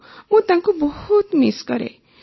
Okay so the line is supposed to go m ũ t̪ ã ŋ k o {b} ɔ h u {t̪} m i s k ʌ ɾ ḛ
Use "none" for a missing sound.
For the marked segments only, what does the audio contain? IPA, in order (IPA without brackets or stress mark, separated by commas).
b, t̪